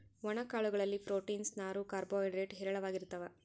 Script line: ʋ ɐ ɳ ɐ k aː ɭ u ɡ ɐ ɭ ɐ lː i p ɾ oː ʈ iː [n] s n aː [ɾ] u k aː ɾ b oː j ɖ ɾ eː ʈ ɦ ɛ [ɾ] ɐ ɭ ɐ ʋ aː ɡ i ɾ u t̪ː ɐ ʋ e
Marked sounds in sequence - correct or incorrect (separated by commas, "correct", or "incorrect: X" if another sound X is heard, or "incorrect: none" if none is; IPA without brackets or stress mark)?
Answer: correct, correct, correct